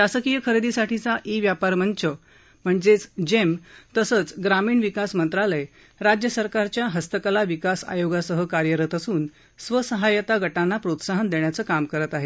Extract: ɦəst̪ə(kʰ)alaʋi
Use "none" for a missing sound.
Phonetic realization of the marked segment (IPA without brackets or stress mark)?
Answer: k